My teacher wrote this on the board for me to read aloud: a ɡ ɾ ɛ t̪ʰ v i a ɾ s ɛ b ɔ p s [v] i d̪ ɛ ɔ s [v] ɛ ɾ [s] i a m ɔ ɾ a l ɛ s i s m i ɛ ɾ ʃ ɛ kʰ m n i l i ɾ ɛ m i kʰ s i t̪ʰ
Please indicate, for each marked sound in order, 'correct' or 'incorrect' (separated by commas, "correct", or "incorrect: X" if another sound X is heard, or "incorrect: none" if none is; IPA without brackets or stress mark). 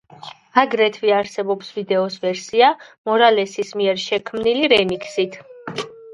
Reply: correct, correct, correct